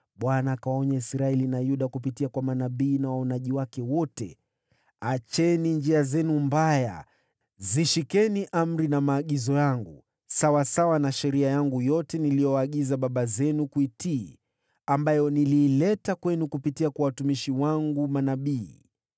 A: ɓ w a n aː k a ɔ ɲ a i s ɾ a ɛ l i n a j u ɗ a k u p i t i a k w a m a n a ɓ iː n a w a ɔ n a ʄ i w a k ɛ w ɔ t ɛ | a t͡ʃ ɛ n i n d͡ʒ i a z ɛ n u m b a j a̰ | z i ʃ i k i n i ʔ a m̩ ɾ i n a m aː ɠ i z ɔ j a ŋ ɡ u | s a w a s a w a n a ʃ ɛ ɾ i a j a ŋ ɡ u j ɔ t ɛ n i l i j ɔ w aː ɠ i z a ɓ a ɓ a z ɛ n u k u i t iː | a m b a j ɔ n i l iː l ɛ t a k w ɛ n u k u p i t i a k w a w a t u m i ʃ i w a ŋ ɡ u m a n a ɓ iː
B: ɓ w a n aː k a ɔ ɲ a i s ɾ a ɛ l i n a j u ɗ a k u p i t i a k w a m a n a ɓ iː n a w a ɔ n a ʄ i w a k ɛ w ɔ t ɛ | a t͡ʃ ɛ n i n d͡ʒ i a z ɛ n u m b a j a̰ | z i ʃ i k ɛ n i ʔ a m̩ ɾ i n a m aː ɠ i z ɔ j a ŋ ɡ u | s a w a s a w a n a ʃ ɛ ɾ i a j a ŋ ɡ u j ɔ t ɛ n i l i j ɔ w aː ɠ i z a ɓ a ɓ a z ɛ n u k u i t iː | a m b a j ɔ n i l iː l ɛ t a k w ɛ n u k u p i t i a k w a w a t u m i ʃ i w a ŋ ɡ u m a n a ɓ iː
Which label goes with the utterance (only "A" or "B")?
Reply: B